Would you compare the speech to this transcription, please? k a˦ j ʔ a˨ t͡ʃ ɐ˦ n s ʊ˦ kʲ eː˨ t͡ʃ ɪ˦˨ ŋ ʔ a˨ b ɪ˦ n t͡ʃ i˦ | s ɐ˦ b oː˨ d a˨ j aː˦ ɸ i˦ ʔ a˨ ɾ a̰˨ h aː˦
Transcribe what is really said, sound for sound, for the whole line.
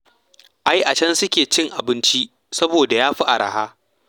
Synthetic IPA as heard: ʔ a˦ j ʔ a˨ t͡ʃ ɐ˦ n s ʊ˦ kʲ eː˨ t͡ʃ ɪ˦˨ ŋ ʔ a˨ b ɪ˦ n t͡ʃ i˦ | s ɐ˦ b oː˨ d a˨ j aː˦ ɸ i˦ ʔ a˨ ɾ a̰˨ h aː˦